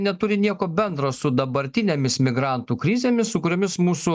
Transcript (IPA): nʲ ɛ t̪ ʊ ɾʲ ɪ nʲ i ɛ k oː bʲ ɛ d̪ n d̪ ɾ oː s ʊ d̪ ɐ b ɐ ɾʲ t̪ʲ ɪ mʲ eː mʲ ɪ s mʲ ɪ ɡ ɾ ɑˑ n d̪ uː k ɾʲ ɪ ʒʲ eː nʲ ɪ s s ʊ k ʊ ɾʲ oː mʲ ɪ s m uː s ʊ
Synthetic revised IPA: nʲ ɛ t̪ ʊ ɾʲ ɪ nʲ i ɛ k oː bʲ ɛ n d̪ ɾ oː s ʊ d̪ ɐ b ɐ ɾʲ t̪ʲ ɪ nʲ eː mʲ ɪ s mʲ ɪ ɡ ɾ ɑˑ n t̪ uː k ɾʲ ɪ zʲ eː mʲ ɪ s s ʊ k ʊ ɾʲ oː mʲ ɪ s m uː s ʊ